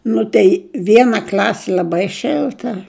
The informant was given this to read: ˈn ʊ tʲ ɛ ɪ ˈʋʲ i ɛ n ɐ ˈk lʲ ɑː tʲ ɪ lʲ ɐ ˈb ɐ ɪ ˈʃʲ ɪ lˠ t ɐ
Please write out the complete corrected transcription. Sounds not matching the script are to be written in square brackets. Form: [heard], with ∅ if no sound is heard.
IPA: ˈn ʊ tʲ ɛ ɪ ˈʋʲ i ɛ n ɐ ˈk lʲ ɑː [sʲ] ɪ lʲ ɐ ˈb ɐ ɪ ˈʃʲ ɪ lˠ t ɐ